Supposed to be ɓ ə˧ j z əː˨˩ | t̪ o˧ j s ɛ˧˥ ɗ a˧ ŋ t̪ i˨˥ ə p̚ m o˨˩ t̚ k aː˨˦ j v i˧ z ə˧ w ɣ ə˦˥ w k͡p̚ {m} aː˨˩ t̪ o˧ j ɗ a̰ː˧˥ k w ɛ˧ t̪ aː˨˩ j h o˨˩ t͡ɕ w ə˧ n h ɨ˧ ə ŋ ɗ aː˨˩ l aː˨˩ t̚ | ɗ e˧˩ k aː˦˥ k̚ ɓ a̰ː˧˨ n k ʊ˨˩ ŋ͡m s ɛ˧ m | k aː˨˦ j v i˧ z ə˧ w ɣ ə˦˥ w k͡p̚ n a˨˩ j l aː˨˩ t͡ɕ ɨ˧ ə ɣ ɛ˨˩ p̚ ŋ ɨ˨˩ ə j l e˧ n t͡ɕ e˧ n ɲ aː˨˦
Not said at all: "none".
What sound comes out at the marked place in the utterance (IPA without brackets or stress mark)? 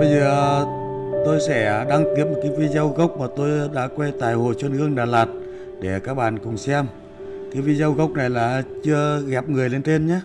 m